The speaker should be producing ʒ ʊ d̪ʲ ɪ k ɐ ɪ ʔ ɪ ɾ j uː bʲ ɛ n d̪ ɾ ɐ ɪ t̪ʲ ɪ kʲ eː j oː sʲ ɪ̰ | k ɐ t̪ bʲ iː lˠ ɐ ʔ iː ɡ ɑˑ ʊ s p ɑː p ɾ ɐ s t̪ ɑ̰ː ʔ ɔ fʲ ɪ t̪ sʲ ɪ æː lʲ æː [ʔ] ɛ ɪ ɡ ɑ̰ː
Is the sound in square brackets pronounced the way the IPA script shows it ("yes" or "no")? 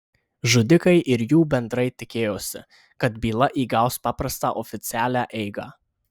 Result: yes